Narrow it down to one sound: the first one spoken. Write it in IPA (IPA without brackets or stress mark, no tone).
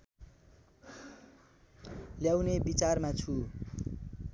l